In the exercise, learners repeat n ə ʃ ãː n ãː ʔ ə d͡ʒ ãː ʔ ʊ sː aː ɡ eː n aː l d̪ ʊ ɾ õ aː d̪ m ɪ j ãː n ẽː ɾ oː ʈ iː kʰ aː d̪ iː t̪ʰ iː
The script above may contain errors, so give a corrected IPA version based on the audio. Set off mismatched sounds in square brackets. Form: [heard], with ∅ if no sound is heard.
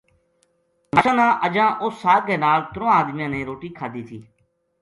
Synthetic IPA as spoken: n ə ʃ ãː n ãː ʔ ə d͡ʒ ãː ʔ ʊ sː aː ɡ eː n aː l [t̪] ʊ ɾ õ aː d̪ m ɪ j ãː n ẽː ɾ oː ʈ iː kʰ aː d̪ iː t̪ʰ iː